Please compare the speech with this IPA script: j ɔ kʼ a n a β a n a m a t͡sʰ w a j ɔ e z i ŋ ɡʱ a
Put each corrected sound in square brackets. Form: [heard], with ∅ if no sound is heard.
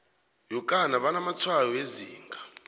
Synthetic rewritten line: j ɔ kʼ a n a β a n a m a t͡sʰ w a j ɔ e z [iː] ŋ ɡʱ a